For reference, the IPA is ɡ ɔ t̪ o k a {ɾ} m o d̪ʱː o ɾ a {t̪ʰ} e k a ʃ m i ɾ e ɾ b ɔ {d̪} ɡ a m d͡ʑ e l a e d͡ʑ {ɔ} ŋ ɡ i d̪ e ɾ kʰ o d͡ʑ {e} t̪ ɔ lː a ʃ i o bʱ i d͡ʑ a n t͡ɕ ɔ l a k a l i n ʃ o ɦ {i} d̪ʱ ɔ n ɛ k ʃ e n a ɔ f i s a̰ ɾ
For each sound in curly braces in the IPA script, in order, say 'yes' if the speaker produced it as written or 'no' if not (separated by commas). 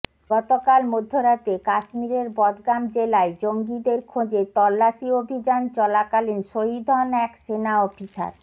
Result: no, no, yes, no, yes, yes